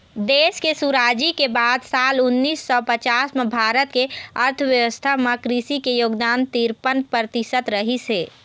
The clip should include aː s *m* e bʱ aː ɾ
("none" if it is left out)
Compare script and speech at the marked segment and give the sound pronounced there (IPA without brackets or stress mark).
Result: m